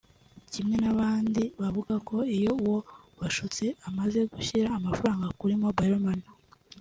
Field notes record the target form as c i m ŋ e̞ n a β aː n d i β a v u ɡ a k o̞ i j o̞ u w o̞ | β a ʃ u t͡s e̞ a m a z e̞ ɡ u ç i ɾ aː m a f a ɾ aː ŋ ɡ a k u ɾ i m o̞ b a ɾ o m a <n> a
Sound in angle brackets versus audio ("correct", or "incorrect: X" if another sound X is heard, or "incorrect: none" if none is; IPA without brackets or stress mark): correct